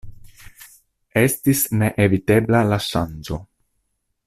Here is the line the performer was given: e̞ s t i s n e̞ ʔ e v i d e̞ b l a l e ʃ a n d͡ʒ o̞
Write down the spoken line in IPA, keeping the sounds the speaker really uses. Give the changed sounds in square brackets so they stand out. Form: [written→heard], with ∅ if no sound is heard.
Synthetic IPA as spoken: e̞ s t i s n e̞ ʔ e v i [d→t] e̞ b l a l [e→a] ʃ a n d͡ʒ o̞